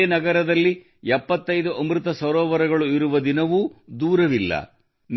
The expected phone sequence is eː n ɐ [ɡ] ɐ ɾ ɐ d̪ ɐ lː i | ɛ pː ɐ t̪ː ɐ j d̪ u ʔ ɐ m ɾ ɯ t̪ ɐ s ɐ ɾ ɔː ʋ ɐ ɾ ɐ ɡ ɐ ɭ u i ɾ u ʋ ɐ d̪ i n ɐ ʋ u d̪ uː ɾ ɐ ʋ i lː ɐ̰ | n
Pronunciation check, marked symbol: correct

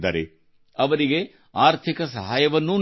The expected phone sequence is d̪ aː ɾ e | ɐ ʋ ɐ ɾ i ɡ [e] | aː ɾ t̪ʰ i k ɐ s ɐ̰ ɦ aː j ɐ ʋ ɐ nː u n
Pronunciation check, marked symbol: correct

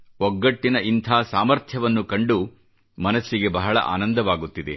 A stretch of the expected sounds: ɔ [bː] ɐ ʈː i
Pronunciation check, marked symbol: incorrect: ɡː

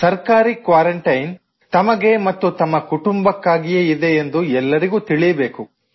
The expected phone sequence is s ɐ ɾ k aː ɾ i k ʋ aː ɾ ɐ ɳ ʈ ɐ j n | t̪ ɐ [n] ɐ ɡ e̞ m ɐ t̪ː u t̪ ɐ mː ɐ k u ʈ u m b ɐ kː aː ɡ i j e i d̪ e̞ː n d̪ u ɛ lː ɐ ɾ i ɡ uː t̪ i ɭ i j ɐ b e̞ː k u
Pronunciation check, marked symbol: incorrect: m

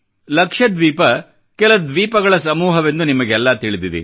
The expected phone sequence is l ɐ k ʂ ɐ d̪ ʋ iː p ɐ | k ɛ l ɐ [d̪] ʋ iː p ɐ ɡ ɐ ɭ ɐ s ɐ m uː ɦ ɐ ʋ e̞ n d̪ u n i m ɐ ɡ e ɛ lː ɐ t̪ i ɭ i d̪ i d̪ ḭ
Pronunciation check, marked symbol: correct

